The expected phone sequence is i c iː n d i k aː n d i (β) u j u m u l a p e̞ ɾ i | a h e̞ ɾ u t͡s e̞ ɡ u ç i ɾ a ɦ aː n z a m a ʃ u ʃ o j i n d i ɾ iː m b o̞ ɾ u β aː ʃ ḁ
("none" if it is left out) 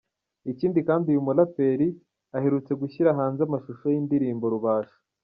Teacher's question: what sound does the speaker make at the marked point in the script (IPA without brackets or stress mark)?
none